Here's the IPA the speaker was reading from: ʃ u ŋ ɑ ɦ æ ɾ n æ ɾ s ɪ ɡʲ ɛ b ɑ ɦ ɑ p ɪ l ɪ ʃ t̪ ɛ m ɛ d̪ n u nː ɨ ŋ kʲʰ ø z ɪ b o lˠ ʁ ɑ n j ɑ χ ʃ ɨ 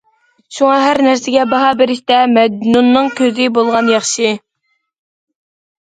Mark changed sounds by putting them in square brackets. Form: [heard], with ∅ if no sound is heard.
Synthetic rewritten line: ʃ u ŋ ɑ ɦ æ ɾ n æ ɾ s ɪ ɡʲ ɛ b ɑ ɦ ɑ [b] ɪ [ɾ] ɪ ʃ t̪ ɛ m ɛ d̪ n u nː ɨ ŋ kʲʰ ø z ɪ b o lˠ ʁ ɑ n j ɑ χ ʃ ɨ

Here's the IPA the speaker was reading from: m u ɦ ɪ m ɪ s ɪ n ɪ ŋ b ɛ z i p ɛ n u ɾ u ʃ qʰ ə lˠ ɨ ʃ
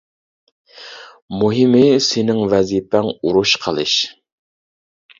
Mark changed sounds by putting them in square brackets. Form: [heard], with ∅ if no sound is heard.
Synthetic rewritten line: m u ɦ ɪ m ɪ s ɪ n ɪ ŋ [v] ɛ z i p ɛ [ŋ] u ɾ u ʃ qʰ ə lˠ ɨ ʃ

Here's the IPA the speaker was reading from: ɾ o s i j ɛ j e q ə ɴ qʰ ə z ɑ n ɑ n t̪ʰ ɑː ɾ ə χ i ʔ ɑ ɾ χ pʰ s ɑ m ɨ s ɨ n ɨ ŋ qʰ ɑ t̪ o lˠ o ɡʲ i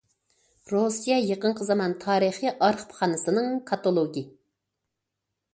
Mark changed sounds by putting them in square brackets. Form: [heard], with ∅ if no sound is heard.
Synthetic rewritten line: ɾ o s i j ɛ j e q ə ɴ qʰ ə z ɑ [m] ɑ n t̪ʰ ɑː ɾ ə χ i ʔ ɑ ɾ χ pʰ [χ] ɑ [n] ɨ s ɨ n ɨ ŋ [kʰ] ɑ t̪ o lˠ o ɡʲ i

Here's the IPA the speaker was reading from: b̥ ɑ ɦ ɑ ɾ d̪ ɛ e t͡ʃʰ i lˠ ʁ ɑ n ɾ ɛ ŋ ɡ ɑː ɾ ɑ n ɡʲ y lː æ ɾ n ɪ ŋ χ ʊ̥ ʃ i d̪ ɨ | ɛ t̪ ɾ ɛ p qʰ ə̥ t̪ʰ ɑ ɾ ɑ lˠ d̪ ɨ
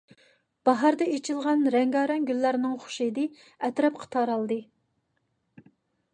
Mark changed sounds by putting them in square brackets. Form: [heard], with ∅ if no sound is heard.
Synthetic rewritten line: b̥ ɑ ɦ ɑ ɾ d̪ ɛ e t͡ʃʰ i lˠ ʁ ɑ n ɾ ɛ ŋ ɡ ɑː ɾ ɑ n ɡʲ y lː æ ɾ n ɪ ŋ χ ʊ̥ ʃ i d̪ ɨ | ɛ t̪ ɾ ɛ p qʰ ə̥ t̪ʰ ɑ ɾ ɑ lˠ d̪ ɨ

